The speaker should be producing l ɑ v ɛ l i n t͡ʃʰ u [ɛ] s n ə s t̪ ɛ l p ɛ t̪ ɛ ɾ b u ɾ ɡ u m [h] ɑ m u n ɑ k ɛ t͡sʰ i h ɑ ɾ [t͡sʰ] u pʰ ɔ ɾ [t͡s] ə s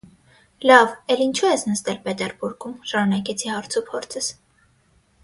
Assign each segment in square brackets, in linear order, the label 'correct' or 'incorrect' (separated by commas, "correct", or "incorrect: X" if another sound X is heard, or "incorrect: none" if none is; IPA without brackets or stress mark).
correct, incorrect: ʃ, correct, incorrect: t͡sʰ